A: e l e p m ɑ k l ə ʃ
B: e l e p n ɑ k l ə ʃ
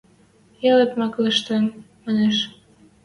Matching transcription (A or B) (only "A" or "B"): A